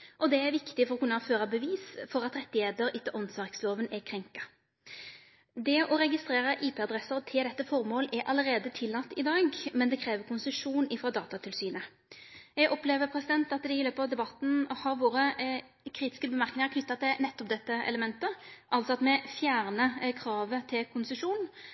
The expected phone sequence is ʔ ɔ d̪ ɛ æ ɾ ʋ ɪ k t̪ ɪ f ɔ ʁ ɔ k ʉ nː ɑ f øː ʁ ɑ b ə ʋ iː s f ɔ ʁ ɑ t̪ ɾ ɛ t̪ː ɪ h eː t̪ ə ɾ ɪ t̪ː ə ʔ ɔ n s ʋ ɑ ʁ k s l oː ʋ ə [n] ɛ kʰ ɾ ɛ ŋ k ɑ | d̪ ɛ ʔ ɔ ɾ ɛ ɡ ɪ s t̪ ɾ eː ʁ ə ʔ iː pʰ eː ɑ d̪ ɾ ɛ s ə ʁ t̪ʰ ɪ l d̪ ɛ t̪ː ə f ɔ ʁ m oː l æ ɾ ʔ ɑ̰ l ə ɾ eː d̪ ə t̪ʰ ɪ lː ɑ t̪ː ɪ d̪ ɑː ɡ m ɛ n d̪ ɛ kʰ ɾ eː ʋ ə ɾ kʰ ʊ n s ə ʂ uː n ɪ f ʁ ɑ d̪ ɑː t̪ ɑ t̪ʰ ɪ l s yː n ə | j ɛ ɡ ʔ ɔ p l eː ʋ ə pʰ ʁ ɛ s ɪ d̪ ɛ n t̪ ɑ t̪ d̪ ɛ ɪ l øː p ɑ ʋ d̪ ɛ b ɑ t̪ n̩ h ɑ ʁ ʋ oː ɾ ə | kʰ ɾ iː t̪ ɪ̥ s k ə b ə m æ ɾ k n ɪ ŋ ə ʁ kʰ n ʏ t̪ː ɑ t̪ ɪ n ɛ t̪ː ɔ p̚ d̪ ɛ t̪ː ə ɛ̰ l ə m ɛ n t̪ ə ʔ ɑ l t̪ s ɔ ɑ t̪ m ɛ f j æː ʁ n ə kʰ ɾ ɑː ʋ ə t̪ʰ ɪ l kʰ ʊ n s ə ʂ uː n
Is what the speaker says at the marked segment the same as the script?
yes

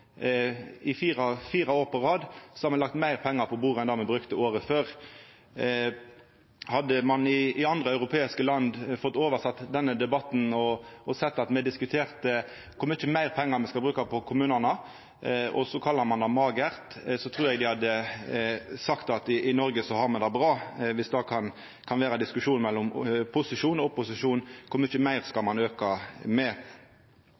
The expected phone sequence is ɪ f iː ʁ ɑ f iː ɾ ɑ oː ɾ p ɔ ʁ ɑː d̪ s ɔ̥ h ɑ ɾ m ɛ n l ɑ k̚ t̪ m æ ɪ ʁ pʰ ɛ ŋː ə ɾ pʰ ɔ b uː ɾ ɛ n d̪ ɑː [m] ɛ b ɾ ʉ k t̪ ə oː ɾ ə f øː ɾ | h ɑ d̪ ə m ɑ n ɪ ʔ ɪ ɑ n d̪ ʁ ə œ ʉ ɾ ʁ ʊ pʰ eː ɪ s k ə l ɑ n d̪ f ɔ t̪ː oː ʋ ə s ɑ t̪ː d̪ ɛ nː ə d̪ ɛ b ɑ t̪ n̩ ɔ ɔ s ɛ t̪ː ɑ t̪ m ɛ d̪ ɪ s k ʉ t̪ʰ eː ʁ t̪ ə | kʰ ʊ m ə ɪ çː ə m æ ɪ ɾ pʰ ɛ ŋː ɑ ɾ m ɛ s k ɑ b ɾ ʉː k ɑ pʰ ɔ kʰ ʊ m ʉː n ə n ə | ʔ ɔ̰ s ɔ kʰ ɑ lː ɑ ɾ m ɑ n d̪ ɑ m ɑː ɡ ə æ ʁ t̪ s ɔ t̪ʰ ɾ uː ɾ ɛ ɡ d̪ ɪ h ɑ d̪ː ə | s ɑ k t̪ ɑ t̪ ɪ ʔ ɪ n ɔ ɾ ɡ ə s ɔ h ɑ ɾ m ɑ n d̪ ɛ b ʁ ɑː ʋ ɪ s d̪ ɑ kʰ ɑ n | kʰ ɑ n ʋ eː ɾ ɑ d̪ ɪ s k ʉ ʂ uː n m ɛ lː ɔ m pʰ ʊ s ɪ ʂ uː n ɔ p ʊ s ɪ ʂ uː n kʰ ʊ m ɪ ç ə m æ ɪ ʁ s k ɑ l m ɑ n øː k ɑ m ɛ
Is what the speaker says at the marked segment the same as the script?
yes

